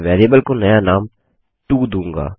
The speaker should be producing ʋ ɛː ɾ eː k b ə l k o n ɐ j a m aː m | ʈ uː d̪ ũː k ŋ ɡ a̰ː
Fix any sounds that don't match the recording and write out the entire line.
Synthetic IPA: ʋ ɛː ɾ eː b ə l k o n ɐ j a n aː m | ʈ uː d̪ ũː ŋ ɡ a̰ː